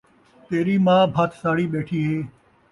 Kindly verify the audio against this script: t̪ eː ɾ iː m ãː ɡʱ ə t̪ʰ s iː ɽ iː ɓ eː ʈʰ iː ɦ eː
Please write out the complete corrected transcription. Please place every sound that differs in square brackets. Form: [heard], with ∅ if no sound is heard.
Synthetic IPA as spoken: t̪ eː ɾ iː m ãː [bʱ] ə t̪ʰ s [aː] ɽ iː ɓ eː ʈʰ iː ɦ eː